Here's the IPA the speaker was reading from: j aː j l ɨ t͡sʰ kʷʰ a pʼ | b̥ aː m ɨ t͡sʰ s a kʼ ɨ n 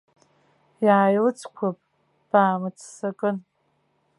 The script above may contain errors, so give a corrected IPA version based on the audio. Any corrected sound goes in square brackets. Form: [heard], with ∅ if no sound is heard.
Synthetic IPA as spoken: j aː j l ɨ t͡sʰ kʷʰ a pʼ | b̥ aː m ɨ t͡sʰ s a kʼ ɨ n